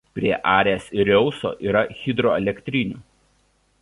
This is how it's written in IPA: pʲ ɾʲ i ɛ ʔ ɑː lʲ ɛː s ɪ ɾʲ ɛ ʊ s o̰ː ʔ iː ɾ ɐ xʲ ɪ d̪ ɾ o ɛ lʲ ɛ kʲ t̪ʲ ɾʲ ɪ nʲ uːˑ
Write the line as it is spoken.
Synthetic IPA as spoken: pʲ ɾʲ i ɛ ʔ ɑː ɾʲ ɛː s ɪ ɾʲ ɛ ʊ s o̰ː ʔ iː ɾ ɐ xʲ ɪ d̪ ɾ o ɛ lʲ ɛ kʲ t̪ʲ ɾʲ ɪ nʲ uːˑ

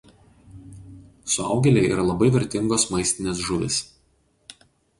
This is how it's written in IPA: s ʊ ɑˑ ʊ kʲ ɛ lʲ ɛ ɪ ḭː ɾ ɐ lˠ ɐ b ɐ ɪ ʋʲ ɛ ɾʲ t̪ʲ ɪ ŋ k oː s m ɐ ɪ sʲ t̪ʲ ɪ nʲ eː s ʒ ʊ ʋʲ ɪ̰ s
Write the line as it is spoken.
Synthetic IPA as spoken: s ʊ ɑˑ ʊ ɡʲ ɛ lʲ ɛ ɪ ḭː ɾ ɐ lˠ ɐ b ɐ ɪ ʋʲ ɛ ɾʲ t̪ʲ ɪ ŋ ɡ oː s m ɐ ɪ sʲ t̪ʲ ɪ nʲ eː s ʒ ʊ ʋʲ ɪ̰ s

